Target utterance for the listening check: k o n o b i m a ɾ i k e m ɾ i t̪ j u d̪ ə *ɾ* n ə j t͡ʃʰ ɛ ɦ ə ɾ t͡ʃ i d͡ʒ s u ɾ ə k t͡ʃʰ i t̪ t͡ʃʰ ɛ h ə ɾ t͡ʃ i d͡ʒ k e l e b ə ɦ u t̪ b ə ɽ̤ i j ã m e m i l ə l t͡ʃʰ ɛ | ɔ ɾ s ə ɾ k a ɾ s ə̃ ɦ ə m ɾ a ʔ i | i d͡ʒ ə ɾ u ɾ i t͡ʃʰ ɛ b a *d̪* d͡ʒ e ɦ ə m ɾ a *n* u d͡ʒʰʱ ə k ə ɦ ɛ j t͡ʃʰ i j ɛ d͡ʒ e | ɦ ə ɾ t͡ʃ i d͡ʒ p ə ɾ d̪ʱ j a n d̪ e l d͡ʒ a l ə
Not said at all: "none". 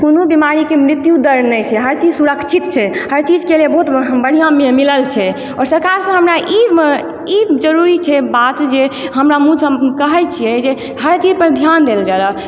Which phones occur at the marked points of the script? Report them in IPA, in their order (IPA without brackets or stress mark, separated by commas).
ɾ, t̪, m